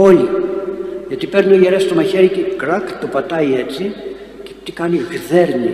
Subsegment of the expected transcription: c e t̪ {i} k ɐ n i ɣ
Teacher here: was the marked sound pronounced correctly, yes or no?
yes